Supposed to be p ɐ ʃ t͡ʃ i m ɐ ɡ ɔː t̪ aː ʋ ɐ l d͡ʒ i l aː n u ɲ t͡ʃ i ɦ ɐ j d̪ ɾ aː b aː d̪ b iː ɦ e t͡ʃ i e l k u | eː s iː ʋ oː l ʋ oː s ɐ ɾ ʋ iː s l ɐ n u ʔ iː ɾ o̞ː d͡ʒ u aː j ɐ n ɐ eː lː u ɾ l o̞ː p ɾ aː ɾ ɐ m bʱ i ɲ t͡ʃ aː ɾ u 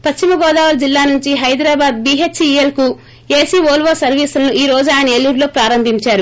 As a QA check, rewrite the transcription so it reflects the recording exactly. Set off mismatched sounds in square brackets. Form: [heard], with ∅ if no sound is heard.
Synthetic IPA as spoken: p ɐ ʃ t͡ʃ i m ɐ ɡ ɔː [d̪] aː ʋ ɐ l d͡ʒ i [lː] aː n u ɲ t͡ʃ i ɦ ɐ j d̪ ɾ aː b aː d̪ b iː ɦ e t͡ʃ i e l k u | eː s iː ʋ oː l ʋ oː s ɐ ɾ ʋ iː s l ɐ n u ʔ iː ɾ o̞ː d͡ʒ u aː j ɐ n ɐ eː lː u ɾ l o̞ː p ɾ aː ɾ ɐ m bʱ i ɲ t͡ʃ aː ɾ u